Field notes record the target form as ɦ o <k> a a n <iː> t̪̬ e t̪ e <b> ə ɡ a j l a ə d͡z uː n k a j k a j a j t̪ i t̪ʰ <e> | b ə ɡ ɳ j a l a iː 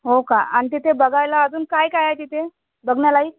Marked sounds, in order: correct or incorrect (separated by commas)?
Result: correct, incorrect, correct, correct